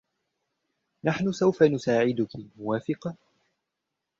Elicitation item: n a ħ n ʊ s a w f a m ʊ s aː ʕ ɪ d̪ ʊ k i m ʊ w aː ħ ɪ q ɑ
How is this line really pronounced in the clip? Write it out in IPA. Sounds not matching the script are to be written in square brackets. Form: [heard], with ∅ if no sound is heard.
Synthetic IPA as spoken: n a ħ n ʊ s a w f a [n] ʊ s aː ʕ ɪ d̪ ʊ k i m ʊ w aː [f] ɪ q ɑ